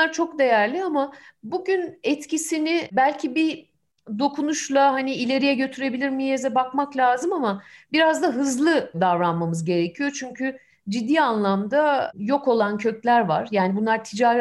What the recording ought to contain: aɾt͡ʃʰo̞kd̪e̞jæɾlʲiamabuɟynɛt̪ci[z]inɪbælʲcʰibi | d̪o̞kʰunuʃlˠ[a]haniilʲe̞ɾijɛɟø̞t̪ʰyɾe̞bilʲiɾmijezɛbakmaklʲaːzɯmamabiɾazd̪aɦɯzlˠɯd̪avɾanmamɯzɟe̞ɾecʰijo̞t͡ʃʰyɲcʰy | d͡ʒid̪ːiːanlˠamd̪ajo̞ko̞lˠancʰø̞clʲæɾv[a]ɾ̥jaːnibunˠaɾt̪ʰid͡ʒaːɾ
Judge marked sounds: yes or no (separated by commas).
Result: no, yes, yes